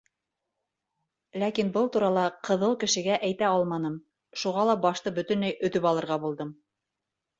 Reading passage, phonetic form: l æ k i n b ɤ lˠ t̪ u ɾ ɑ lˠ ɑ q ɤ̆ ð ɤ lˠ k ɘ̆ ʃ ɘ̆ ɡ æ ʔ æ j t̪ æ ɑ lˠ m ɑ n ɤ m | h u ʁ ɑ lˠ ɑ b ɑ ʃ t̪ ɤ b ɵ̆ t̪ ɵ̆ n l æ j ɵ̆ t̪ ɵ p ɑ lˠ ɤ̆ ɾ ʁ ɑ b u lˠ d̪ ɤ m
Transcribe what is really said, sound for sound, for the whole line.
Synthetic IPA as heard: l æ k i n b ɤ lˠ t̪ u ɾ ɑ lˠ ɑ q ɤ̆ ð ɤ lˠ k ɘ̆ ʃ ɘ̆ ɡ æ ʔ æ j t̪ æ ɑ lˠ m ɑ n ɤ m | ʃ u ʁ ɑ lˠ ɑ b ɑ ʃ t̪ ɤ b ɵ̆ t̪ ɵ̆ n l æ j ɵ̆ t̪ ɵ p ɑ lˠ ɤ̆ ɾ ʁ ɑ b u lˠ d̪ ɤ m